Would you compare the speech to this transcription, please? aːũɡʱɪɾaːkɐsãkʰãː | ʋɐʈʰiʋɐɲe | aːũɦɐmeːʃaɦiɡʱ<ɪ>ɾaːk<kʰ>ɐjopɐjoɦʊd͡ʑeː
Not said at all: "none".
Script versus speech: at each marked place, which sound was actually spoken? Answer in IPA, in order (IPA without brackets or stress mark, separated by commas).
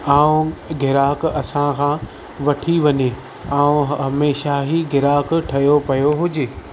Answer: ɪ, ʈʰ